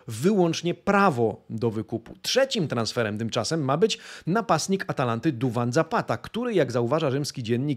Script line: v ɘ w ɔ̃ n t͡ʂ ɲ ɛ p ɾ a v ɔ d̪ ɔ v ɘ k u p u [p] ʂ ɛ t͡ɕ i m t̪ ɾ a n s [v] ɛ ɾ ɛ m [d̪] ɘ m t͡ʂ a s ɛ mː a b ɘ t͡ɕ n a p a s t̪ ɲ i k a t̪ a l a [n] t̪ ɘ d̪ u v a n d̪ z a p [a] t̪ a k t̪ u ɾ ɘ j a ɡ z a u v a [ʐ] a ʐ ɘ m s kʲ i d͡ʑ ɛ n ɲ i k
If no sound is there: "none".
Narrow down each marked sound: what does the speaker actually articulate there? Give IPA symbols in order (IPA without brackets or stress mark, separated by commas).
t, f, t̪, n, a, ʐ